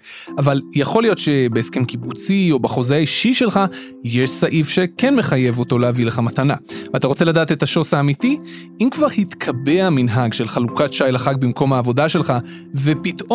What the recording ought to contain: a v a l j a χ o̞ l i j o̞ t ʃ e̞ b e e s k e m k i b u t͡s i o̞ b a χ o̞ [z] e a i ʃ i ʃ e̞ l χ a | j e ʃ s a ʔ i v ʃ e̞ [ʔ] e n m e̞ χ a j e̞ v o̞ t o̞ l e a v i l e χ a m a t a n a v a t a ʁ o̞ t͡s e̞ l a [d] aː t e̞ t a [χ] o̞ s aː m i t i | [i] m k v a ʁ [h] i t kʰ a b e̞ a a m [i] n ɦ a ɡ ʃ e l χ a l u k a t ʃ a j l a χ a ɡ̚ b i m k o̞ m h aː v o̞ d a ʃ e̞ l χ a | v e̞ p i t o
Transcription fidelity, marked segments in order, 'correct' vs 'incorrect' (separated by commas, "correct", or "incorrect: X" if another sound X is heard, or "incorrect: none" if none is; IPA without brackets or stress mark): correct, incorrect: k, correct, incorrect: ʃ, correct, correct, correct